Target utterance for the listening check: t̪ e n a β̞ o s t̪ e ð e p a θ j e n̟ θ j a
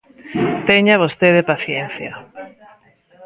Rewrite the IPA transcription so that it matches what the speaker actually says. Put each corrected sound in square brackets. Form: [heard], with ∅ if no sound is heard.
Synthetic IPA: t̪ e [ɲ] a β̞ o s t̪ e ð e p a θ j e n̟ θ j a